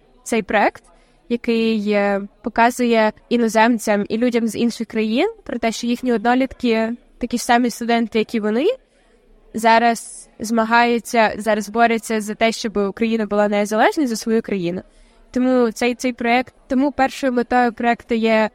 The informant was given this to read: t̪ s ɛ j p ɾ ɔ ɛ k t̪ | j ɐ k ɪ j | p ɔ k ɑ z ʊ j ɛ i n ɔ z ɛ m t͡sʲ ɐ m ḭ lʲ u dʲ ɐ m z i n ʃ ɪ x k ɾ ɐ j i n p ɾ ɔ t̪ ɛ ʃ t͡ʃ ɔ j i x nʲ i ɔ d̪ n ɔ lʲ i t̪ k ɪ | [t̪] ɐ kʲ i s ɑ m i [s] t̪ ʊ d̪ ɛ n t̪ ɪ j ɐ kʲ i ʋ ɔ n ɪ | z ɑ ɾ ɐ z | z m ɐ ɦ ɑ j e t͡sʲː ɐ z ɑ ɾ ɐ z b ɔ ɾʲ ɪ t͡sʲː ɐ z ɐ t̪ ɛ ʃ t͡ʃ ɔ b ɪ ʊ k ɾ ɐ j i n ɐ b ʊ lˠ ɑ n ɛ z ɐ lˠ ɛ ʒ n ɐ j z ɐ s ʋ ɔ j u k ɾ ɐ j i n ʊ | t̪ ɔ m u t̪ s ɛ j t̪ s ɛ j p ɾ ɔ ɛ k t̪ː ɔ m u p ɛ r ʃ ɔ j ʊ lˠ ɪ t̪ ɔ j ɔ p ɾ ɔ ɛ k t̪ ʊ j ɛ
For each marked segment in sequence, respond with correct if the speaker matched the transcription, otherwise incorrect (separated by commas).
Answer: correct, correct